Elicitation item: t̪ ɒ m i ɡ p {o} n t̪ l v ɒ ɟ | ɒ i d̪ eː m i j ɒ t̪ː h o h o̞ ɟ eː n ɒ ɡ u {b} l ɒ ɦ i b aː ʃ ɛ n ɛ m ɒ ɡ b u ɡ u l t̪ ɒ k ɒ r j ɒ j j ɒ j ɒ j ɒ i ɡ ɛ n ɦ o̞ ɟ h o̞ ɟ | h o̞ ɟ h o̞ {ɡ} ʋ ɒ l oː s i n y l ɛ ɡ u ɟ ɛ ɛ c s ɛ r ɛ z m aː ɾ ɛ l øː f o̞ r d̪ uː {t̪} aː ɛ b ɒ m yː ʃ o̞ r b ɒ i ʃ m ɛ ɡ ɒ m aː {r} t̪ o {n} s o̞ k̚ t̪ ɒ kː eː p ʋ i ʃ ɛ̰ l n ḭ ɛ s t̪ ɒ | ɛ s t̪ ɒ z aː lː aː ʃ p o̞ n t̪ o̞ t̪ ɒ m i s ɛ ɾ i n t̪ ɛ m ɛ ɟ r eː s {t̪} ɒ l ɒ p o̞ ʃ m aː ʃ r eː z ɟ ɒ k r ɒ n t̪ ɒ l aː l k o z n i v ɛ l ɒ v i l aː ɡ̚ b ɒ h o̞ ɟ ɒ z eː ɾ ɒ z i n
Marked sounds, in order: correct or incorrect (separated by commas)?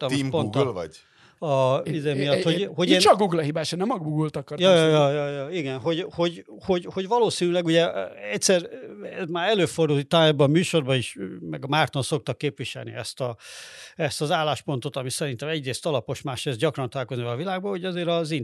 correct, incorrect, incorrect, correct, correct, correct, correct